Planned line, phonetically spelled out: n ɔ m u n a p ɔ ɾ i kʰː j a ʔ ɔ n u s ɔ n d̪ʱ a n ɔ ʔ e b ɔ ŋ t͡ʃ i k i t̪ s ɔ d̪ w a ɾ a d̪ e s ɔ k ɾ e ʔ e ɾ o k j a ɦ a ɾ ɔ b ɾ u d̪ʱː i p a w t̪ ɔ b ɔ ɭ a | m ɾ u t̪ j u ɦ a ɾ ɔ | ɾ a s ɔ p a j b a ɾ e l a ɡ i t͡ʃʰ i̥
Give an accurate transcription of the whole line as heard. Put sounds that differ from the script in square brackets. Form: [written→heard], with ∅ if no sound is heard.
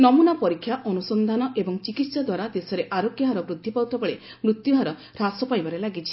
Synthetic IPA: n ɔ m u n a p ɔ ɾ i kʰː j a ʔ ɔ n u s ɔ n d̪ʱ a n ɔ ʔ e b ɔ ŋ t͡ʃ i k i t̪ s ɔ d̪ w a ɾ a d̪ e s ɔ [k→∅] ɾ e ʔ [e→a] ɾ o k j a ɦ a ɾ ɔ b ɾ u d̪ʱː i p a w t̪ ɔ b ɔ ɭ [a→e] | m ɾ u t̪ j u ɦ a ɾ ɔ | ɾ a s ɔ p a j b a ɾ e l a ɡ i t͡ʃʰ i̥